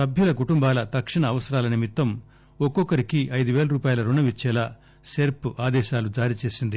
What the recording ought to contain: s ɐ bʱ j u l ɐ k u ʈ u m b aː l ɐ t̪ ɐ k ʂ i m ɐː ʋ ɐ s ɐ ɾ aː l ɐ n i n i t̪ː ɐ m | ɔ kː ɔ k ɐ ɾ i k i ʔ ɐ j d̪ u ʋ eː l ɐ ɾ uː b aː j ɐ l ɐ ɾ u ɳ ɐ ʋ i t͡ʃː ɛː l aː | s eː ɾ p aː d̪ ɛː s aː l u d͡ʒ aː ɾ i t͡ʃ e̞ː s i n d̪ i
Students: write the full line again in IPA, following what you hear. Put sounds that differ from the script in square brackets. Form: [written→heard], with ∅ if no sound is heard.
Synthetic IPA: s ɐ bʱ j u l ɐ k u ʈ u m b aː l ɐ t̪ ɐ k ʂ i [m→ɳ] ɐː ʋ ɐ s ɐ ɾ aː l ɐ n i [n→m] i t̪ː ɐ m | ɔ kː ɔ k ɐ ɾ i k i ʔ ɐ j d̪ u ʋ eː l ɐ ɾ uː [b→p] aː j ɐ l ɐ ɾ u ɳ ɐ ʋ i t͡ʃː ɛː l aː | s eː ɾ p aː d̪ ɛː [s→ʃ] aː l u d͡ʒ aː ɾ i t͡ʃ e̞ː s i n d̪ i